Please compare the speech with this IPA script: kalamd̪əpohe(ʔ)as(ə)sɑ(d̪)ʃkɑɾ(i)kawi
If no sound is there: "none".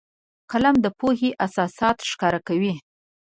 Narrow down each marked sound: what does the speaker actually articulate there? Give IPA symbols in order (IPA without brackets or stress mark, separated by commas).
ʔ, ɑ, t̪, a